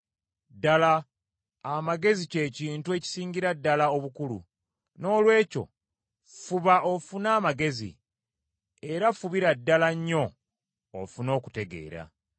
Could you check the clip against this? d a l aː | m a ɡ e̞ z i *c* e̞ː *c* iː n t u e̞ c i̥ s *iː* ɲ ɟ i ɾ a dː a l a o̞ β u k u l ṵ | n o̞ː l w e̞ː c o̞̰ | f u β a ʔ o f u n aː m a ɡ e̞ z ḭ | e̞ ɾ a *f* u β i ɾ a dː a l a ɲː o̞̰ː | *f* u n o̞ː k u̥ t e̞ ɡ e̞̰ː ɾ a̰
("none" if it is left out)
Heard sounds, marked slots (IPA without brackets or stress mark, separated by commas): c, c, iː, f, f